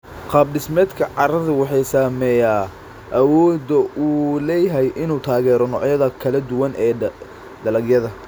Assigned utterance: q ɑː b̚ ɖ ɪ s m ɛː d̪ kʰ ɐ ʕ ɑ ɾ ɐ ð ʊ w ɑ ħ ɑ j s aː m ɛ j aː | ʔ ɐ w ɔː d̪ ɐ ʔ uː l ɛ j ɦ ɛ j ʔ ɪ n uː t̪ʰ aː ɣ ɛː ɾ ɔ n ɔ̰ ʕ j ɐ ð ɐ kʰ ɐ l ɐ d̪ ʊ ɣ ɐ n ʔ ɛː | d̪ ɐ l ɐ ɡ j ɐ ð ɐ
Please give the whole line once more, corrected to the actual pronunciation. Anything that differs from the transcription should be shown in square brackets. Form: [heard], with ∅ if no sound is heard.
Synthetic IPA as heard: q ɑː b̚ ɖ ɪ s m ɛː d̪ kʰ ɐ ʕ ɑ ɾ ɐ ð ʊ w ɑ ħ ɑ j s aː m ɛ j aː | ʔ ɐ w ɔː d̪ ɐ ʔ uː l ɛ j ɦ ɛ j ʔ ɪ n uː t̪ʰ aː ɣ ɛː ɾ ɔ n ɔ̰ ʕ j ɐ ð ɐ kʰ ɐ l ɐ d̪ ʊ [w] ɐ n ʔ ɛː | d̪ ɐ l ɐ ɡ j ɐ ð ɐ